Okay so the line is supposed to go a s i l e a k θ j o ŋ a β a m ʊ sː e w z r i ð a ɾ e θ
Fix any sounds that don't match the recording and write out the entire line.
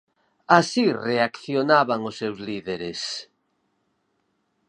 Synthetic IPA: a s i r e a k θ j o n a β a ŋ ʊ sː e w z l i ð e ɾ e s